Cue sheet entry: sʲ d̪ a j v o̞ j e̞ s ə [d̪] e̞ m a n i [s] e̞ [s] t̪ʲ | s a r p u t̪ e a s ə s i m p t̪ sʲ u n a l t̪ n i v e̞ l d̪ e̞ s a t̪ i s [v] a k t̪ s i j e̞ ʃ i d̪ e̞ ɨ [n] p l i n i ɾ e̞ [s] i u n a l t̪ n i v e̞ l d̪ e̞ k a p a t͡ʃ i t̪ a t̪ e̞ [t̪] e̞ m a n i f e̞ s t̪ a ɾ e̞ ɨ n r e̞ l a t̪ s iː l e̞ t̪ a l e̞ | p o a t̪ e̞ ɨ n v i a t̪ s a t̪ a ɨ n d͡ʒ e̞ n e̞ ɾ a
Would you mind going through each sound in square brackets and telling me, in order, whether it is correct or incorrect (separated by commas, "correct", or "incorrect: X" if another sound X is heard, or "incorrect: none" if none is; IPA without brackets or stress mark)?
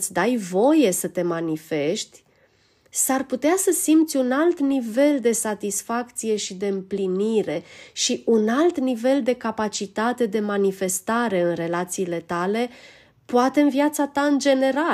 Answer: incorrect: t̪, incorrect: f, incorrect: ʃ, incorrect: f, incorrect: m, incorrect: ʃ, incorrect: d̪